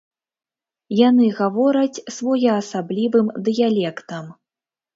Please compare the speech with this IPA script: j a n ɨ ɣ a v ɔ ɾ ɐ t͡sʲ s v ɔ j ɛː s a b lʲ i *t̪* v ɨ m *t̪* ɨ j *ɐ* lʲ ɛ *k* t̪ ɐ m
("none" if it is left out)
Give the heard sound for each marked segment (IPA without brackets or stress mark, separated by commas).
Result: none, d̪, a, k